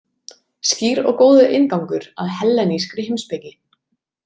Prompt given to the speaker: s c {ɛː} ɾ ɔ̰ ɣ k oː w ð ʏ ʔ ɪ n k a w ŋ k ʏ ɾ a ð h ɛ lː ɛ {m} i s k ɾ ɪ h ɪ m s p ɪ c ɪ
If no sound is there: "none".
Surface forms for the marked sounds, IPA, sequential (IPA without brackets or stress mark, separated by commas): iː, n